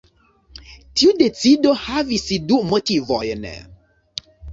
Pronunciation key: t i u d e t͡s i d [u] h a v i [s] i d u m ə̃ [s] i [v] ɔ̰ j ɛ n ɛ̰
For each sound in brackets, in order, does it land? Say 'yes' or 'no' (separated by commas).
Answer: no, yes, no, yes